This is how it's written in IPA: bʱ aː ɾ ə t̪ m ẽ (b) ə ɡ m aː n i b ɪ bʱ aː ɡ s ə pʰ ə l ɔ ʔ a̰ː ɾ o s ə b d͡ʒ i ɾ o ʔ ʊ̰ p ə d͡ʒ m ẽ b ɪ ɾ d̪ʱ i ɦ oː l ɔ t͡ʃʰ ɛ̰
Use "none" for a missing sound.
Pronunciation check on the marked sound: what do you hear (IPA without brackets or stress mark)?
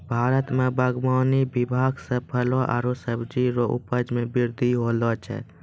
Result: b